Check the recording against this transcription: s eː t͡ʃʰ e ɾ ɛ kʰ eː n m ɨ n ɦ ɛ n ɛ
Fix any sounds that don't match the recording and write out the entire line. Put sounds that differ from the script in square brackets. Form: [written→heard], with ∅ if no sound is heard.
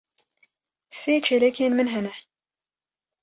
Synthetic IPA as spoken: s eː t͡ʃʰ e [ɾ→l] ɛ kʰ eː n m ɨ n ɦ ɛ n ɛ